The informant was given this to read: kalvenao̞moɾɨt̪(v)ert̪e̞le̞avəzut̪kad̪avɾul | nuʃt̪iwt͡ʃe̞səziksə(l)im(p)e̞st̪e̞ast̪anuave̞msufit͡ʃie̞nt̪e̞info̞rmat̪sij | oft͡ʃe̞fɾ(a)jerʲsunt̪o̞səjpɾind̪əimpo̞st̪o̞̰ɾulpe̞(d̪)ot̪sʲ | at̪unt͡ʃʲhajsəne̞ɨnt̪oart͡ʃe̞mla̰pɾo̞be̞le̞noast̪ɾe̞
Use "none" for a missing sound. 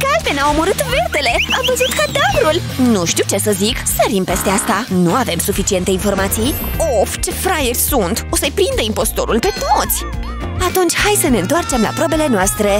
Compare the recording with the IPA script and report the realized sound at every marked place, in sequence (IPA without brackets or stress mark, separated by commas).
v, ɾ, p, a, t̪